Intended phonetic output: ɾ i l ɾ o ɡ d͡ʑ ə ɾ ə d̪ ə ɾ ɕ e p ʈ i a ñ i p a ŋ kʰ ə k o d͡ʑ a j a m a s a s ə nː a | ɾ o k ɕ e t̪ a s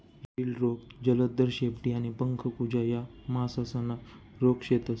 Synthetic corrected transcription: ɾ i l ɾ o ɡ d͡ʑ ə l ə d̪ ə ɾ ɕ e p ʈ i a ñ i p ə ŋ kʰ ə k u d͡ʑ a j a m a s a s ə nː a | ɾ o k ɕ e t̪ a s